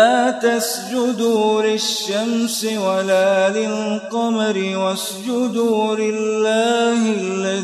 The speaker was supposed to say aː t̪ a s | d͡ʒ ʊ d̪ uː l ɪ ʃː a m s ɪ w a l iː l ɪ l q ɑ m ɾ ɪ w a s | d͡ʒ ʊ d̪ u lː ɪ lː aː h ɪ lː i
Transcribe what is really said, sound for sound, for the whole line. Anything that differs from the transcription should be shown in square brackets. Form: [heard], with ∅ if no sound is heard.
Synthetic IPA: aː t̪ a s | d͡ʒ ʊ d̪ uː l ɪ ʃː a m s ɪ w a l [aː] l ɪ l q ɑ m ɾ ɪ w a s | d͡ʒ ʊ d̪ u [l] ɪ lː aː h ɪ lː [a]